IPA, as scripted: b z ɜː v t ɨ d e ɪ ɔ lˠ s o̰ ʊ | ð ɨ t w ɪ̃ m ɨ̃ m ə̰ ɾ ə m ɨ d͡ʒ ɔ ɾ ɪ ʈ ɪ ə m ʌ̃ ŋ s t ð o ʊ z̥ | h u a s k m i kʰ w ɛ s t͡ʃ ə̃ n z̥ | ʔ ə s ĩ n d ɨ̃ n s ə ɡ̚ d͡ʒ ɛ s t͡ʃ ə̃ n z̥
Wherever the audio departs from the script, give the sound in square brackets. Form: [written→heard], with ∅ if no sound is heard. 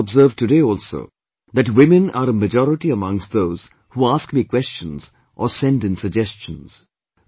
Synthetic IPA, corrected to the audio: b z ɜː v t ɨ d e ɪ ɔ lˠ s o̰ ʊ | ð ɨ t w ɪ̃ m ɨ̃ [m→n] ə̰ ɾ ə m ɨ d͡ʒ ɔ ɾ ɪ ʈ [ɪ→i] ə m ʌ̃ ŋ s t ð o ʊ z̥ | h u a s k m i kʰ w ɛ s t͡ʃ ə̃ n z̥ | ʔ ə s [ĩ→ɛ̃] n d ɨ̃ n s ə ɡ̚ d͡ʒ ɛ s t͡ʃ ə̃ n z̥